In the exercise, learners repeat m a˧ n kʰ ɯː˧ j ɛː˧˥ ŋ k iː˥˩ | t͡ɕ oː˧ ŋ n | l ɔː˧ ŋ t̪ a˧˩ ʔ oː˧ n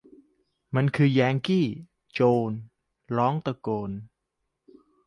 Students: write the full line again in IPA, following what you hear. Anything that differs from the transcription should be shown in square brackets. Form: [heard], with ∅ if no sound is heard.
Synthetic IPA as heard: m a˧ n kʰ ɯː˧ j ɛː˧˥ ŋ k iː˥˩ | t͡ɕ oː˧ [∅] n | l [ɔː˦˥] ŋ t̪ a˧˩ [k] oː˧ n